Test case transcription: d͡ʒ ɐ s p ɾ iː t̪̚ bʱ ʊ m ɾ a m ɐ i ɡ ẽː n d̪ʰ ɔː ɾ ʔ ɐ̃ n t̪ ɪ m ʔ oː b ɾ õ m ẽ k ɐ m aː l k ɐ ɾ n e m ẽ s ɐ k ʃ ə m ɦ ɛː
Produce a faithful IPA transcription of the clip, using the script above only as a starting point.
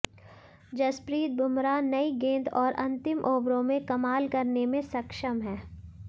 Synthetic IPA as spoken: d͡ʒ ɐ s p ɾ iː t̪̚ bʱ ʊ m ɾ a n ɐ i ɡ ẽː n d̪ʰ ɔː ɾ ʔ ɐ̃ n t̪ ɪ m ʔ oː b ɾ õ m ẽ k ɐ m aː l k ɐ ɾ n e m ẽ s ɐ k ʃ ə m ɦ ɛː